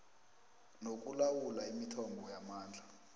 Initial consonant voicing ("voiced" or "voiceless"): voiced